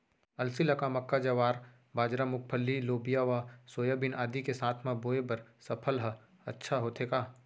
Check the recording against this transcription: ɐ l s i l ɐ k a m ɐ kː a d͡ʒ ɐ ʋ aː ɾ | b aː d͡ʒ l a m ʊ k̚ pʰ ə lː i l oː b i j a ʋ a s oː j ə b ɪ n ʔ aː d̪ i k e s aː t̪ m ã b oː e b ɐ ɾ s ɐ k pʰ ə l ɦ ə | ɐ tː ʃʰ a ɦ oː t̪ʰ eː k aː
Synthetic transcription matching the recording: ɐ l s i l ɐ k a m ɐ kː a d͡ʒ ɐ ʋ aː ɾ | b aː d͡ʒ ɾ a m ʊ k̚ pʰ ə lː i l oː b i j a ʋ a s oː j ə b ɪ n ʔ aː d̪ i k e s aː t̪ʰ m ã b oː e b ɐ ɾ s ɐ pʰ ə l ɦ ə | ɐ tː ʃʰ a ɦ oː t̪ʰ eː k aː